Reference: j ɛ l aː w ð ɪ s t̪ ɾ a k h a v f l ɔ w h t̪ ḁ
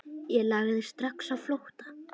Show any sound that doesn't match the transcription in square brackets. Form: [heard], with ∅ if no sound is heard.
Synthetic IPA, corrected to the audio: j ɛ l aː [ɣ] ð ɪ s t̪ ɾ a k [s] a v f l [o] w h t̪ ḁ